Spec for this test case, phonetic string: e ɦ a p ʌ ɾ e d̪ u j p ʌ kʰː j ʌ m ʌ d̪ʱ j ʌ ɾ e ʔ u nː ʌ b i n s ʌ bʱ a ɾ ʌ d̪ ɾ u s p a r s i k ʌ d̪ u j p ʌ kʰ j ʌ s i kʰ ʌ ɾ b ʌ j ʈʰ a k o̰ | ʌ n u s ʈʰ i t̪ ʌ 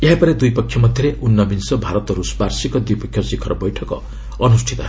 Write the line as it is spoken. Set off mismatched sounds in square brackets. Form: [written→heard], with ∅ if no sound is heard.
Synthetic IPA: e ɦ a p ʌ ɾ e d̪ u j p ʌ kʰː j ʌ m ʌ d̪ʱ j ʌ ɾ e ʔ u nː ʌ b i n s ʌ bʱ a ɾ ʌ [d̪→t̪] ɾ u s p a r s i k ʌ d̪ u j p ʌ kʰ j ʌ s i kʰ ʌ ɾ b ʌ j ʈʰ [a→ʌ] k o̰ | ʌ n u s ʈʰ i t̪ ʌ